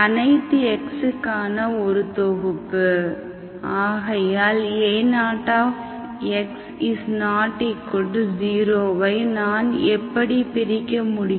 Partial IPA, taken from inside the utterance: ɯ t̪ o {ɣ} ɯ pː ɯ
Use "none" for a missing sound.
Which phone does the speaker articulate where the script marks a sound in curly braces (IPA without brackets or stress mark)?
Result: ɣ